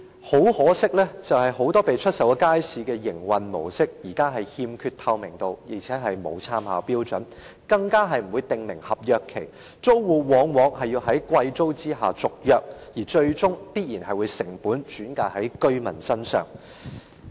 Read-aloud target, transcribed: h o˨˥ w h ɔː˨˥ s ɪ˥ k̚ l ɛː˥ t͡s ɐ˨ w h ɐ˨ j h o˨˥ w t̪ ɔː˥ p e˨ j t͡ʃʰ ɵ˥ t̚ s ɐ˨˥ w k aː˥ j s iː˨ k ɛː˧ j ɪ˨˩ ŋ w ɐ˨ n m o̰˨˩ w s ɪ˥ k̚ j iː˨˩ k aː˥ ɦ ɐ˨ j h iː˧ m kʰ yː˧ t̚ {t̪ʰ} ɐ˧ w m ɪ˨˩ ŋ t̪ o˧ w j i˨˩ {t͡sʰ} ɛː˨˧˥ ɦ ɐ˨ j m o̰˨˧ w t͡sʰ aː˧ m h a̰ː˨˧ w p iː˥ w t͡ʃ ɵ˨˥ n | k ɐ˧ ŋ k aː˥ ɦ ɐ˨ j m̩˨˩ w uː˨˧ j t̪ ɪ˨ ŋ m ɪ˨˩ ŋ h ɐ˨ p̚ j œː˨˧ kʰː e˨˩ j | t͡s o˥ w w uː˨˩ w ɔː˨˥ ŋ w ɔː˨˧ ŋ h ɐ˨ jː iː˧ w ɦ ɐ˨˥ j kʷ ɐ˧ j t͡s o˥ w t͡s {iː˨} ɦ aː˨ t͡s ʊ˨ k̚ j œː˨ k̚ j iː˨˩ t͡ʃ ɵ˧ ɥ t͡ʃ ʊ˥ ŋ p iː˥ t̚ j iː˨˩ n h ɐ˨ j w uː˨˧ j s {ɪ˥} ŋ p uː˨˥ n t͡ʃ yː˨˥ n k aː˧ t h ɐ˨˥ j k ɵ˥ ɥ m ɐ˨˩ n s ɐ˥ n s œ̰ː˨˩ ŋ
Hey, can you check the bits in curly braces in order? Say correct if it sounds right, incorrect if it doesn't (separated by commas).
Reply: correct, correct, incorrect, incorrect